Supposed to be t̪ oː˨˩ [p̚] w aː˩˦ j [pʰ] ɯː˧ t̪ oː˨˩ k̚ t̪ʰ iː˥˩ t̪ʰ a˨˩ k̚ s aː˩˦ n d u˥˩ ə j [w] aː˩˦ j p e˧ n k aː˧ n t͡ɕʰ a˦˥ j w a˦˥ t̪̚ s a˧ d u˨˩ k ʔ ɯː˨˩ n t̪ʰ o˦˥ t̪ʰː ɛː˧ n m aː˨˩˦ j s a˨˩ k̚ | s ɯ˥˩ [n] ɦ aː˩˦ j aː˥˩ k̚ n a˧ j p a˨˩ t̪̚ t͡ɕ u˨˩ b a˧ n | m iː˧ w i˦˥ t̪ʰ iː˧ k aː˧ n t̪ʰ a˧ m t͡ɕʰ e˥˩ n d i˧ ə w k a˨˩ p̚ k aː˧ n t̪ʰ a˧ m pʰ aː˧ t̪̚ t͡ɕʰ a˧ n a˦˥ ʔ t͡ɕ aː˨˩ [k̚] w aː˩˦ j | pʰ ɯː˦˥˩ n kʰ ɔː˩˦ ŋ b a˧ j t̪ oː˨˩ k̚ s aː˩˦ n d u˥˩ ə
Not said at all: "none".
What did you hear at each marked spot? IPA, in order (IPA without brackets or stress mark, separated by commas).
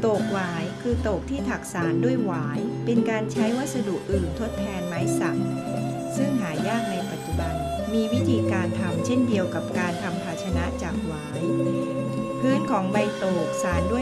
k̚, kʰ, w, ŋ, k̚